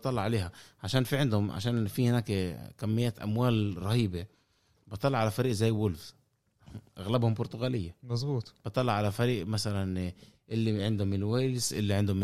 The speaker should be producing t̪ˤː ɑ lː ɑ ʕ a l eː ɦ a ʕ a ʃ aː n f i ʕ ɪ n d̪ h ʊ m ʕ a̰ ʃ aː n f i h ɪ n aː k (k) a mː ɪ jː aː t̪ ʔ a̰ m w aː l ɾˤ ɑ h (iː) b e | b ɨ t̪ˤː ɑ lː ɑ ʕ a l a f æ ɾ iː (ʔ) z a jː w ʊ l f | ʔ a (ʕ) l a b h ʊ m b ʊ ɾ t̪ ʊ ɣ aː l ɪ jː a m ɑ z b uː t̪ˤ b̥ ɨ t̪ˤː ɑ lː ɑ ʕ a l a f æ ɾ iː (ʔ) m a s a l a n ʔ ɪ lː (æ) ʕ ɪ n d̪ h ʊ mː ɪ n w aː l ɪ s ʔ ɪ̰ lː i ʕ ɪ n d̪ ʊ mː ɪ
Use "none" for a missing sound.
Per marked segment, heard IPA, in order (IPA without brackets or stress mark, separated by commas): k, iː, ʔ, ɣ, ʔ, i